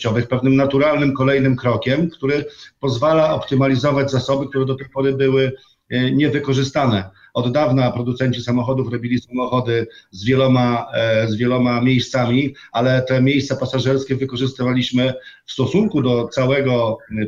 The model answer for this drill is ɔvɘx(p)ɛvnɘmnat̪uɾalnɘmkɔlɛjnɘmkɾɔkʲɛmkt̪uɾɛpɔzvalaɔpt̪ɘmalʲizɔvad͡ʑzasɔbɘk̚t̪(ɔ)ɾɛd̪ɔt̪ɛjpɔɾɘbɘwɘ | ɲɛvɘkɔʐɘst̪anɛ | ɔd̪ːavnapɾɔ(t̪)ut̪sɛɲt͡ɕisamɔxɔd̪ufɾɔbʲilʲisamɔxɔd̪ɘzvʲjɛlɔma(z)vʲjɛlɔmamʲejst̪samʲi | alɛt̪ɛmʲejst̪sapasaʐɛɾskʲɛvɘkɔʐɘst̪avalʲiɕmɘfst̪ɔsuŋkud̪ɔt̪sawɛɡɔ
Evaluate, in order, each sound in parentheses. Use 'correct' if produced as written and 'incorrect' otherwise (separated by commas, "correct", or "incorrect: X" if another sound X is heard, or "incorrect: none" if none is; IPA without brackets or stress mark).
correct, incorrect: u, incorrect: d̪, correct